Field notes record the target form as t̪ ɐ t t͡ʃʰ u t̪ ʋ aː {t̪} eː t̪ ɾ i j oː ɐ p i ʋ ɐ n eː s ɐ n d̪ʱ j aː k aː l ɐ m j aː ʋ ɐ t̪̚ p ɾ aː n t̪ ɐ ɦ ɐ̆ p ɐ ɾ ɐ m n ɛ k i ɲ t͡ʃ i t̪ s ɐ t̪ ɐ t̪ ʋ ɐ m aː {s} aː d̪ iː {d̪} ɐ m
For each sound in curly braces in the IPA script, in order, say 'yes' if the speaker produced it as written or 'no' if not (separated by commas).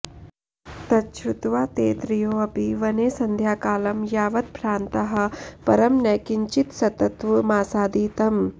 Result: yes, yes, no